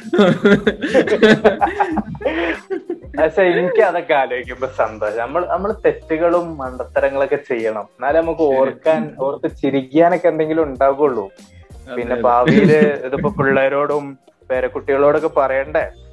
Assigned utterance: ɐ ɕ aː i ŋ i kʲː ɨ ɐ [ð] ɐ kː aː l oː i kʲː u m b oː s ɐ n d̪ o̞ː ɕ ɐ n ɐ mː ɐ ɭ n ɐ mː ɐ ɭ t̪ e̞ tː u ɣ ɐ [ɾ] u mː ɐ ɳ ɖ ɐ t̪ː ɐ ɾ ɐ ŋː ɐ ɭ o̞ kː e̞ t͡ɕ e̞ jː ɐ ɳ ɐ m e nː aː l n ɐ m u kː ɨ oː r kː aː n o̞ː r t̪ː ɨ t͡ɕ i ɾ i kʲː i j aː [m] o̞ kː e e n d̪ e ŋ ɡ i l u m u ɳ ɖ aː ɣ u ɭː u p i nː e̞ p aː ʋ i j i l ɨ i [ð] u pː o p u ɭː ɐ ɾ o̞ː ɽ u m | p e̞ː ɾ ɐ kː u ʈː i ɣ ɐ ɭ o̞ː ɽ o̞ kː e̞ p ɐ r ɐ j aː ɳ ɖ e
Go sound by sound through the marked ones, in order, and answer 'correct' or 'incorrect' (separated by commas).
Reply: correct, incorrect, incorrect, correct